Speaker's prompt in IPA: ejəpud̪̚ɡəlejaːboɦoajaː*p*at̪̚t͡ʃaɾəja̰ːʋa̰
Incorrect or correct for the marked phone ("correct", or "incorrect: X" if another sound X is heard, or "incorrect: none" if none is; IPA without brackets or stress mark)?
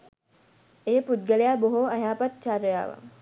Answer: correct